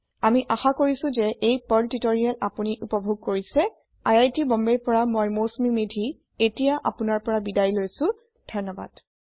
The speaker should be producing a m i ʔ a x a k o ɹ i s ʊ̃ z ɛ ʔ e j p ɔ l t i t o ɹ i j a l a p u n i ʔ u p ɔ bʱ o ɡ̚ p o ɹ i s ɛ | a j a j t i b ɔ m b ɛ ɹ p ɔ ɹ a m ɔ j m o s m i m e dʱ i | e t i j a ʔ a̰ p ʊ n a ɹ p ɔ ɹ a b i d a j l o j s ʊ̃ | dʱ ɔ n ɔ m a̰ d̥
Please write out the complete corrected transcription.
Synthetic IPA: a m i ʔ a x a k o ɹ i s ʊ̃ z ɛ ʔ e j p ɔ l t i t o ɹ i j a l a p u n i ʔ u p ɔ bʱ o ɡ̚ k o ɹ i s ɛ | a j a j t i b ɔ m b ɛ ɹ p ɔ ɹ a m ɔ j m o s m i m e dʱ i | e t i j a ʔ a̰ p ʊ n a ɹ p ɔ ɹ a b i d a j l o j s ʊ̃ | dʱ ɔ n ɔ b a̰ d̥